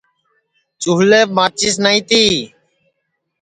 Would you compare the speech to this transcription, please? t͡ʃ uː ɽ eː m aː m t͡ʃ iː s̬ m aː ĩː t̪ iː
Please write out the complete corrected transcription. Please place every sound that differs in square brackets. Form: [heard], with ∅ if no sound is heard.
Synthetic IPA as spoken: t͡ʃ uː [l] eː m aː [∅] t͡ʃ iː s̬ [n] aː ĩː t̪ iː